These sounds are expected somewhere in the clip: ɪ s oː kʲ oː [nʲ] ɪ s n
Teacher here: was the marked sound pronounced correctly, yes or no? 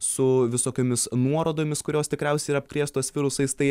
no